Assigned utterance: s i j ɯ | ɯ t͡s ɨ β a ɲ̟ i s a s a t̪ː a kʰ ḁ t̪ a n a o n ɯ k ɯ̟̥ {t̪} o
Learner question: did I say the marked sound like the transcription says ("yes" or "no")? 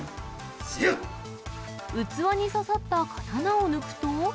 yes